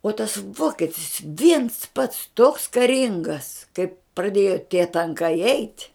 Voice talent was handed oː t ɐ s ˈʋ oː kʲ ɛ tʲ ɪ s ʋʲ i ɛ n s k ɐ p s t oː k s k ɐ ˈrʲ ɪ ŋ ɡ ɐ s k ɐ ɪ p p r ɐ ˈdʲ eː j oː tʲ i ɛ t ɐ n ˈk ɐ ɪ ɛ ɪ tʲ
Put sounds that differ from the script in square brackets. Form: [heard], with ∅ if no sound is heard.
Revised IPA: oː t ɐ s ˈʋ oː kʲ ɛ tʲ ɪ s ʋʲ i ɛ n s [p] ɐ [t] s t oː k s k ɐ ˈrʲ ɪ ŋ ɡ ɐ s k ɐ ɪ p p r ɐ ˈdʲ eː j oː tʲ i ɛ t ɐ [ŋ] ˈk ɐ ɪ ɛ ɪ tʲ